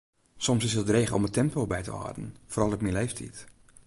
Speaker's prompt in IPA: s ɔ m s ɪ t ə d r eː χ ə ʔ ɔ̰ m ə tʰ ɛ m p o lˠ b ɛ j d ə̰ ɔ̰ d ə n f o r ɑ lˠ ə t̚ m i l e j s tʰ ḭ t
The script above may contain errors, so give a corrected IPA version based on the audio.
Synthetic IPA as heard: s ɔ m s ɪ s ə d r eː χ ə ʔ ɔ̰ m ə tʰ ɛ m p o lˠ b ɛ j t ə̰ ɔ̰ d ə n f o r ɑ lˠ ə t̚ m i l e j f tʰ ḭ t